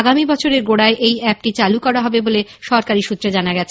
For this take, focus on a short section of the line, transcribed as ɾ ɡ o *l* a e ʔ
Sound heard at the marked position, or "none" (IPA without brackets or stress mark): ɽ